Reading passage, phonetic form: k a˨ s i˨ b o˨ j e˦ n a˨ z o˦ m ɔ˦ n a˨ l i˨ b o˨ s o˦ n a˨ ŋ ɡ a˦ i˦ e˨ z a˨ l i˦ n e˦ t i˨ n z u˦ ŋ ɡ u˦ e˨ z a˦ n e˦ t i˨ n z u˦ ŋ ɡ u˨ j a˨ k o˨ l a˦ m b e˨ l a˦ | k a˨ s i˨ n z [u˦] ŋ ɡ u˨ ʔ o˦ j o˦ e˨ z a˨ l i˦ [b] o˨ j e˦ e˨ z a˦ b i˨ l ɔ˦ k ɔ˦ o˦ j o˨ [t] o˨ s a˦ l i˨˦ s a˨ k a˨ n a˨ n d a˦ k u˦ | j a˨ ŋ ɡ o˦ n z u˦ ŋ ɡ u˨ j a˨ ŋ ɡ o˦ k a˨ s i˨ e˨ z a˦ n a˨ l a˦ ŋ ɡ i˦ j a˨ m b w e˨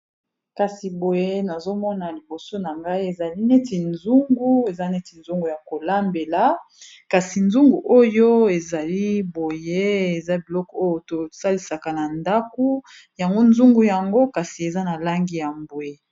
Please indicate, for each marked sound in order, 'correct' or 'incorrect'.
correct, correct, correct

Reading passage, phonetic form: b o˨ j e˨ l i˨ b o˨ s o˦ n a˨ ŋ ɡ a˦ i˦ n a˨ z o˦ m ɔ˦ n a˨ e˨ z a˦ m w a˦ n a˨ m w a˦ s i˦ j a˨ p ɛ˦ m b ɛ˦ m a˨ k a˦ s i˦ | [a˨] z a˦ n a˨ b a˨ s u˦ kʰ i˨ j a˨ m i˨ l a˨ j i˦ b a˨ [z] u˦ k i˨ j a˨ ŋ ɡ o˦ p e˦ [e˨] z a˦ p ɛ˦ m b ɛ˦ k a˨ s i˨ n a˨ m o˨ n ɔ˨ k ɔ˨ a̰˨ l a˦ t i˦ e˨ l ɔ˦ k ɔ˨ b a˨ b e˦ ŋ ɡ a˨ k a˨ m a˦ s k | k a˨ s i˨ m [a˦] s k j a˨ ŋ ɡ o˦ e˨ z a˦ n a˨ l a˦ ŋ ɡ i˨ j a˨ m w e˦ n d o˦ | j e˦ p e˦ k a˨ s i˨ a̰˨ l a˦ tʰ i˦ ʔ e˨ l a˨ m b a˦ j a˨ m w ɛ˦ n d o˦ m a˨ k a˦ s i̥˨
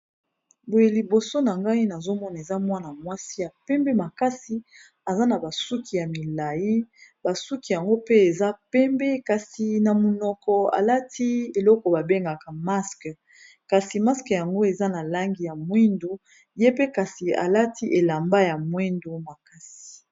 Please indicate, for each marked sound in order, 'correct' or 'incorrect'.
correct, incorrect: s, correct, correct

